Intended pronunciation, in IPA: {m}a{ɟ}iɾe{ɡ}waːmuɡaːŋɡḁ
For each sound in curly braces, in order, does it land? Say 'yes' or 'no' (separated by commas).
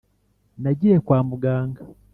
no, yes, no